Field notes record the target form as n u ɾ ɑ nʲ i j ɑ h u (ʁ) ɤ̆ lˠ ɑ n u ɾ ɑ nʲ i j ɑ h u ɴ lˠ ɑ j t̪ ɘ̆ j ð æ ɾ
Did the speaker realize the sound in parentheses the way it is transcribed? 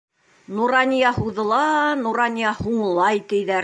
no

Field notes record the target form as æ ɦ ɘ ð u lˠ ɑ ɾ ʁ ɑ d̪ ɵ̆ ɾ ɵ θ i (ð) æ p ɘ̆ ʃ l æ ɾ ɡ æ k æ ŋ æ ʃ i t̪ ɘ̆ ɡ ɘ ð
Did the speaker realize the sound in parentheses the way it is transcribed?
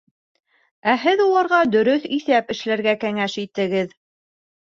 no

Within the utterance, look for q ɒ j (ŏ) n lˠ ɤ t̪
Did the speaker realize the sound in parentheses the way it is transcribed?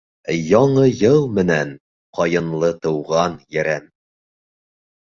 no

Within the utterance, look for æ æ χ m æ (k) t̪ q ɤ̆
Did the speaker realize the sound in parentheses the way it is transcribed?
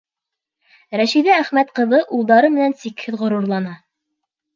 no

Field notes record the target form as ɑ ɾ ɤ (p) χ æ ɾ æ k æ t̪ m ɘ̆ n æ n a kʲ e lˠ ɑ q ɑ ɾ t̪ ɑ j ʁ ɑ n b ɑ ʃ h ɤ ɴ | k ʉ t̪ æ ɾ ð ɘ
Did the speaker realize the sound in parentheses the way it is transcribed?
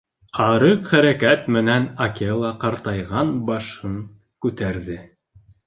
no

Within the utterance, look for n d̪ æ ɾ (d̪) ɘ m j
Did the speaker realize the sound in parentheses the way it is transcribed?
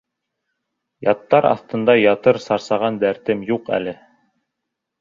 no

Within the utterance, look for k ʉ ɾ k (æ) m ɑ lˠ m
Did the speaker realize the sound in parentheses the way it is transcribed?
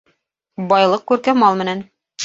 yes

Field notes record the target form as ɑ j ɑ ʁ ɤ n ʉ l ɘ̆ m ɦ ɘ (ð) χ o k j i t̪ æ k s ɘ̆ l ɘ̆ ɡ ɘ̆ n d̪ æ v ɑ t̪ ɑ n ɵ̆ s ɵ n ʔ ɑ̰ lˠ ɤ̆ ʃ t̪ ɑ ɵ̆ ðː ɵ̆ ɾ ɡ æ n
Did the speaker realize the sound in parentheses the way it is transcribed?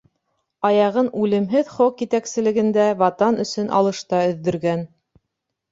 yes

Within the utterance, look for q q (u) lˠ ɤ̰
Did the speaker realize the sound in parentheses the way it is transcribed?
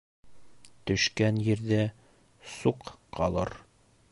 no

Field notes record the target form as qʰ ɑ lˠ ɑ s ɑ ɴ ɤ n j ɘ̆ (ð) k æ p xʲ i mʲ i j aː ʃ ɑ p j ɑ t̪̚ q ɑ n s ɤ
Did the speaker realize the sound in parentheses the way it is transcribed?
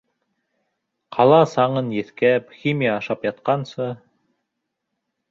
no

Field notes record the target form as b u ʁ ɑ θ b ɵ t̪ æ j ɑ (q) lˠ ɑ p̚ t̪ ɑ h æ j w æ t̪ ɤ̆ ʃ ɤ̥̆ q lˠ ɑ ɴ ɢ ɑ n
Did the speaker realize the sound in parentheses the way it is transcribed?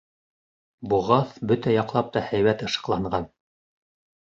yes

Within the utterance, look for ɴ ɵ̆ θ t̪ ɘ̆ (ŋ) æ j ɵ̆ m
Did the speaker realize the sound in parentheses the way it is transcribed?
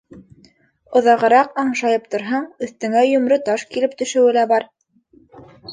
yes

